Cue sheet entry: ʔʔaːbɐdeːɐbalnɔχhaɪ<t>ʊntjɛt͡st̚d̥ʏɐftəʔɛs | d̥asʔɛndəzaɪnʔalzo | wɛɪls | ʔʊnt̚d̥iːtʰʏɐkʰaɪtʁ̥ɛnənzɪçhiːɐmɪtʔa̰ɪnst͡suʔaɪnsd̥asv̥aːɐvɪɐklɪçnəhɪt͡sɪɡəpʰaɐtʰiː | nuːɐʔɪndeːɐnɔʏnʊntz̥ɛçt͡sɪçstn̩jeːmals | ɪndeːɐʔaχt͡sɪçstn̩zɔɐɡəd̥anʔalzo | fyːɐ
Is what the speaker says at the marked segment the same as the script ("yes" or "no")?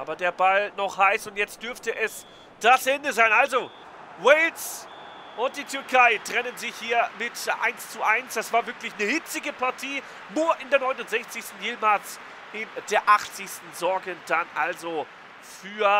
no